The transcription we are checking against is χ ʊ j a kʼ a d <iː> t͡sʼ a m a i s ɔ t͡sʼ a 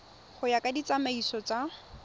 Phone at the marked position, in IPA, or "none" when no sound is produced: i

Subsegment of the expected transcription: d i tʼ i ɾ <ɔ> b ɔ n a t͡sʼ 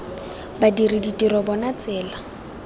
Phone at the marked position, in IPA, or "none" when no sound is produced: ɔ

